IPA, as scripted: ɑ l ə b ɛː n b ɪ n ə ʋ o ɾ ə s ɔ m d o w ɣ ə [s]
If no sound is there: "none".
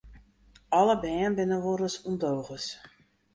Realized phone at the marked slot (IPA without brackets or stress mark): s